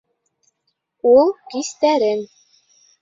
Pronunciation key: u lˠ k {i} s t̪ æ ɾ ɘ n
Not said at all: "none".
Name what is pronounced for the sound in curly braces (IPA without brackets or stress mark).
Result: i